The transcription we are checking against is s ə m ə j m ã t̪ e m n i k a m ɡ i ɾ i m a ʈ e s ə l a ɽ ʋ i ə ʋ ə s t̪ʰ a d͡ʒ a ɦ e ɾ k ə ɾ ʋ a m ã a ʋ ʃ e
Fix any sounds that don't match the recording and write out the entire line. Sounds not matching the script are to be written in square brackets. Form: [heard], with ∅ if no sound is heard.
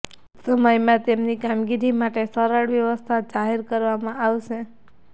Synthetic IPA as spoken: s ə m ə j m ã t̪ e m n i k a m ɡ i ɾ i m a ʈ e s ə [ɾ] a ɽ ʋ [j] ə ʋ ə s t̪ʰ a d͡ʒ a ɦ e ɾ k ə ɾ ʋ a m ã a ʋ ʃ e